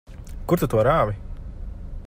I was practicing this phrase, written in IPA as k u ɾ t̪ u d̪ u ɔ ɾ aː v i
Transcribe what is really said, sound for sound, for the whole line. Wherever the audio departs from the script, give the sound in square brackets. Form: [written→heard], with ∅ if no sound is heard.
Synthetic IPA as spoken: k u ɾ t̪ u [d̪→t̪] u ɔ ɾ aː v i